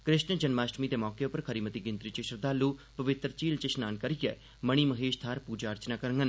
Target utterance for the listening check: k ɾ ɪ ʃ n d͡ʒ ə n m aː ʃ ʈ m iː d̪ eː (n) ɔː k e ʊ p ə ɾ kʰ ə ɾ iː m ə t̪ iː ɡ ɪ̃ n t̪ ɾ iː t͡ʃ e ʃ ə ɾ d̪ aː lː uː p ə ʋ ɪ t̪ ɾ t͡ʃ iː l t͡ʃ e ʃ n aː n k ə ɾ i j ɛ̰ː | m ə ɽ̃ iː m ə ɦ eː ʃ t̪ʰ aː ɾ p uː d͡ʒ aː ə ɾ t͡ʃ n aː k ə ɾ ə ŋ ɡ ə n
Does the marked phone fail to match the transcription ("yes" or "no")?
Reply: yes